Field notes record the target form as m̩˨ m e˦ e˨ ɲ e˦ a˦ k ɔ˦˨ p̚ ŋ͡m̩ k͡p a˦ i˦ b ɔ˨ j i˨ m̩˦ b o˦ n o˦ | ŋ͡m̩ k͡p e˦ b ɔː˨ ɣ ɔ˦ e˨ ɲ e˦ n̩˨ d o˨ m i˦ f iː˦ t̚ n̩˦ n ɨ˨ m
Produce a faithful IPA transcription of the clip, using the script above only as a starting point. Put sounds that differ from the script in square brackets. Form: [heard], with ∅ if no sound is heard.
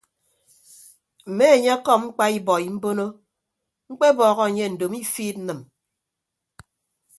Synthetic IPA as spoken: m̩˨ m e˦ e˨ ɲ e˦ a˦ k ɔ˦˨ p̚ ŋ͡m̩ k͡p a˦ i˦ b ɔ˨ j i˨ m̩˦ b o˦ n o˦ | ŋ͡m̩ k͡p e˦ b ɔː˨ ɣ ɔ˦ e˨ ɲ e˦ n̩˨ d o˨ m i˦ f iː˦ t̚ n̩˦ n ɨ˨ m